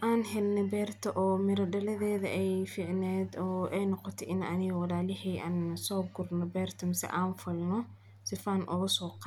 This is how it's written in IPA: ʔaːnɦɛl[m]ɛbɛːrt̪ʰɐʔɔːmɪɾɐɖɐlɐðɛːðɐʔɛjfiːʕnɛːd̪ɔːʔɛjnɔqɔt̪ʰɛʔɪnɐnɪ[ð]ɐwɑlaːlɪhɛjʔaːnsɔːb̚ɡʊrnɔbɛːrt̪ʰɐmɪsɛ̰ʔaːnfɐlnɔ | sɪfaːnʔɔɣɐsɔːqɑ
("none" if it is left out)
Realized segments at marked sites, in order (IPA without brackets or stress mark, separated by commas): n, ɣ